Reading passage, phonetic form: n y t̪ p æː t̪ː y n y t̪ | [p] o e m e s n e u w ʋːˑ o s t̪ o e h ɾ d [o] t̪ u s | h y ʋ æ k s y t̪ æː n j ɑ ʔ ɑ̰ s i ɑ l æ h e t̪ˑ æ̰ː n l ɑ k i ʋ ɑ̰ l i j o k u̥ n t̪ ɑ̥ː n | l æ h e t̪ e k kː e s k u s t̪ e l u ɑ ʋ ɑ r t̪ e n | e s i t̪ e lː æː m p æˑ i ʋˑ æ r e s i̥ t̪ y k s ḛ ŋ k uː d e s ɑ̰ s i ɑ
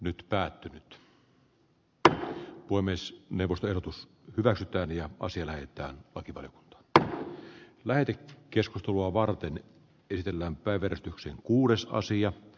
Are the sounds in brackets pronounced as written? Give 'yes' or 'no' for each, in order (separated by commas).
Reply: yes, yes